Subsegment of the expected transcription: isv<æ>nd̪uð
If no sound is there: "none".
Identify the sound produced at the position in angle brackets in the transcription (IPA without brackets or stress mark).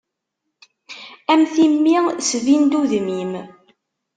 i